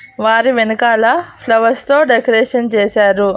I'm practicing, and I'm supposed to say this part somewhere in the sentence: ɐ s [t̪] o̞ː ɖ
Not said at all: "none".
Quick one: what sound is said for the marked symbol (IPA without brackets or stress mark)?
t̪